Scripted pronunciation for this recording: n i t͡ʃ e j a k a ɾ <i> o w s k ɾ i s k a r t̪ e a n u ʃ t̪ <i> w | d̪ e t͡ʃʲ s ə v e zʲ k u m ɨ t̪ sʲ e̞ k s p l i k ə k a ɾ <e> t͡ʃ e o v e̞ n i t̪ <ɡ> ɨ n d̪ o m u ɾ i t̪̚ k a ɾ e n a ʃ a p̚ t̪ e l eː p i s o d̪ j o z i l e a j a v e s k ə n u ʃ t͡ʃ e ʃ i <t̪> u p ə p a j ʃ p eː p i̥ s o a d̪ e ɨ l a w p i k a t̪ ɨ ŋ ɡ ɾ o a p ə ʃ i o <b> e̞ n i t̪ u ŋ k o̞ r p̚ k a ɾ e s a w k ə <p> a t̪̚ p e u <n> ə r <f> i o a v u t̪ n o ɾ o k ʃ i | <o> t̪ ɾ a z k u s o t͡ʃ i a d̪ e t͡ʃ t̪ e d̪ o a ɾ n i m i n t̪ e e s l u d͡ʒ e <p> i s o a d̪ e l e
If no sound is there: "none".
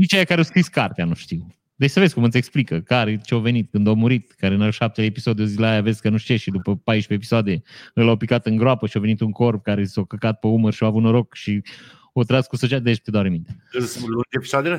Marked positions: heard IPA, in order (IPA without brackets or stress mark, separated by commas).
e, i, e, k, d̪, v, k, m, ʃ, o, p